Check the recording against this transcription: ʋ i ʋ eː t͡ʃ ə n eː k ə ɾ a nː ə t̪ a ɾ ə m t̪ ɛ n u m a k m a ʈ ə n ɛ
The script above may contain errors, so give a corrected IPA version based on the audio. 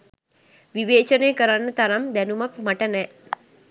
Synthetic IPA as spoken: ʋ i ʋ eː t͡ʃ ə n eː k ə ɾ a nː ə t̪ a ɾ a m d̪ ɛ n u m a k m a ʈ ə n ɛ